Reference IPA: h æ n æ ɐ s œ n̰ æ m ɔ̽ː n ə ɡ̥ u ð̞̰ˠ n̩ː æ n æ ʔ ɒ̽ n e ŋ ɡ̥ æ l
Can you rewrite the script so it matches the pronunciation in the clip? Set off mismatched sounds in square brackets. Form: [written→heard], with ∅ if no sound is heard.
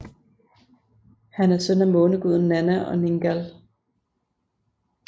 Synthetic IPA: h æ n æ ɐ s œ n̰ æ m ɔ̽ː n ə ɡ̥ u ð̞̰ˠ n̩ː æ n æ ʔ ɒ̽ n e ŋ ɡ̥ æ l